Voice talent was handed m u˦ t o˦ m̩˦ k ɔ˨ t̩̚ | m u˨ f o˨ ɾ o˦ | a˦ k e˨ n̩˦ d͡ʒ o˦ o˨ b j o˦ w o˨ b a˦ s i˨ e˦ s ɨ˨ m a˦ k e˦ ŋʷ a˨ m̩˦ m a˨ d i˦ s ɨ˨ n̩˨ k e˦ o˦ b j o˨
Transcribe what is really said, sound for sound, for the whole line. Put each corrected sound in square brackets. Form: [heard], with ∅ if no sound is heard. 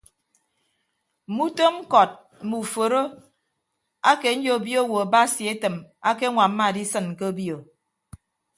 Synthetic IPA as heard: m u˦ t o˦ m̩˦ k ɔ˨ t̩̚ | m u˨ f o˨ ɾ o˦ | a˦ k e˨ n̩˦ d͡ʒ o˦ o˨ b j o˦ w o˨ b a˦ s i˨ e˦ [t] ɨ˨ m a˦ k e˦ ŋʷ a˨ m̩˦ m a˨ d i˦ s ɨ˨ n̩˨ k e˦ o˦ b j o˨